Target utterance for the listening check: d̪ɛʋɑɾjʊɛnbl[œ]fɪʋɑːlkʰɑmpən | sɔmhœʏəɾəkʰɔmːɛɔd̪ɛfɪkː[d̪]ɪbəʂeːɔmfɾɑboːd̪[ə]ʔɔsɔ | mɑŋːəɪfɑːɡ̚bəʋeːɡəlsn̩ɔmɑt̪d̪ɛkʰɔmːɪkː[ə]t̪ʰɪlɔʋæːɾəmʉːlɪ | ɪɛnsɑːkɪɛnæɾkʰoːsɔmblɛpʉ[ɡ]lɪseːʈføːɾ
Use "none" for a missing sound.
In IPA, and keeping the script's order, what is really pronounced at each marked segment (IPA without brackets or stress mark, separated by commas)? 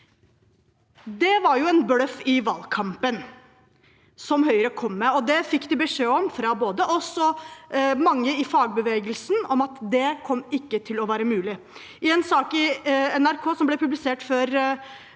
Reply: œ, d̪, ə, ə, b